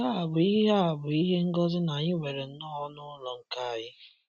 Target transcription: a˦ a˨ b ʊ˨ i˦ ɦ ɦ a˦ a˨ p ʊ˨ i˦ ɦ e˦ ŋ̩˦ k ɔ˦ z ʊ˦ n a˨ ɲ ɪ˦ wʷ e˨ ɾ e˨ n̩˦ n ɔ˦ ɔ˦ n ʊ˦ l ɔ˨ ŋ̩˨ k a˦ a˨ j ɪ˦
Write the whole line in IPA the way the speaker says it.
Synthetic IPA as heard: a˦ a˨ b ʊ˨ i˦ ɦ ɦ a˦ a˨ b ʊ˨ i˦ ɦ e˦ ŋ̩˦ ɡ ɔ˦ z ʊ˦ n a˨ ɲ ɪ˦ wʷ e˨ ɾ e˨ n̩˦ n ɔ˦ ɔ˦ n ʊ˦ l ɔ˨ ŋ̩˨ k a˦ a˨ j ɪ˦